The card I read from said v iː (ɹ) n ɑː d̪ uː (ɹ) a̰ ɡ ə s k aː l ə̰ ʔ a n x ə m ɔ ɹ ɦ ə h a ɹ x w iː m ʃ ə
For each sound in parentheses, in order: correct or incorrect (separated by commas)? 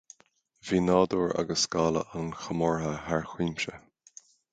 incorrect, correct